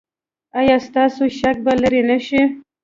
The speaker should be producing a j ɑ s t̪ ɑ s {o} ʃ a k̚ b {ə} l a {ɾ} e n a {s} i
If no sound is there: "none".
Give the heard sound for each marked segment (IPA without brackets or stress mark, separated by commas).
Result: o, a, ɾ, ʃ